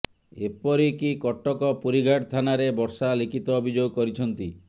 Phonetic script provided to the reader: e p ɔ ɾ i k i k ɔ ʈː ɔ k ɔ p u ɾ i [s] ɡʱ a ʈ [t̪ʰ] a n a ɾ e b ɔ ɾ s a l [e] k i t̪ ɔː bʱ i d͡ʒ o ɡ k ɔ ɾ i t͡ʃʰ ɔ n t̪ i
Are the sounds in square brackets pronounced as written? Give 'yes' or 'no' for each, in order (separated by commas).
no, yes, no